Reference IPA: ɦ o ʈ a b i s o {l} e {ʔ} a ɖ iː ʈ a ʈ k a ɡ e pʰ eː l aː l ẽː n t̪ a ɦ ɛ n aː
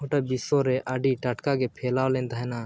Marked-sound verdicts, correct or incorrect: incorrect, correct

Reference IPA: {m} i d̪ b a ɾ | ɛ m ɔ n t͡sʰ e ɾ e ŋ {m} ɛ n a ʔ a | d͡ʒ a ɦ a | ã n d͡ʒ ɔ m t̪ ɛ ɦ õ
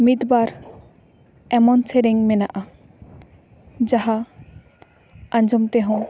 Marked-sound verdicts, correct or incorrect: correct, correct

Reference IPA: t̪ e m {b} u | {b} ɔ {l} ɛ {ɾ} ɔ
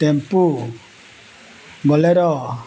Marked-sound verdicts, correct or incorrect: incorrect, incorrect, correct, correct

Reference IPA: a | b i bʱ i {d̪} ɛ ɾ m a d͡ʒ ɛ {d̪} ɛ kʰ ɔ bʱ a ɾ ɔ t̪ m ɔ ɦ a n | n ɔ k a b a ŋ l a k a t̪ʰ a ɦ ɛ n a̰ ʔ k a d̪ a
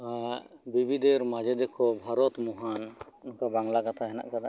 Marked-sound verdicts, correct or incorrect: correct, correct

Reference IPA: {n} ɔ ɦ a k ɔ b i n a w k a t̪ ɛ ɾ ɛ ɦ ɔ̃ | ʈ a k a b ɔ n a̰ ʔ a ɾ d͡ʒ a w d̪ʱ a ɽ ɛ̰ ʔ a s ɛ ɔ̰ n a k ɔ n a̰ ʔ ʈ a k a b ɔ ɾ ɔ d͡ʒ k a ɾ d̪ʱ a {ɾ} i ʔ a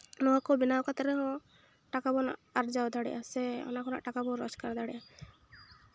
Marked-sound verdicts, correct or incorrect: correct, incorrect

